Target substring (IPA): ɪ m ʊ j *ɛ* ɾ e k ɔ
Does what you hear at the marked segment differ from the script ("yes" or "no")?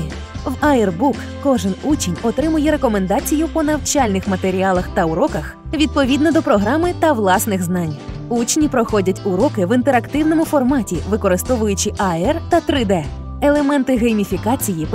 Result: no